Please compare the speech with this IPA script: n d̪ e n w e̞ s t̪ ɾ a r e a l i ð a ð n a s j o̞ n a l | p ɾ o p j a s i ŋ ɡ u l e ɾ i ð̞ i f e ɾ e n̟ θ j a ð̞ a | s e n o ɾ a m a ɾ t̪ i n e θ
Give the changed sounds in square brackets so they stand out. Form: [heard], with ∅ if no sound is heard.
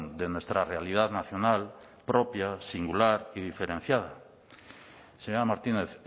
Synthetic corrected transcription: n d̪ e n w e̞ s t̪ ɾ a r e a l i ð a ð n a [θ] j o̞ n a l | p ɾ o p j a s i ŋ ɡ u l [a] ɾ i ð̞ i f e ɾ e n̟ θ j a ð̞ a | s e [ɲ] o ɾ a m a ɾ t̪ i n e θ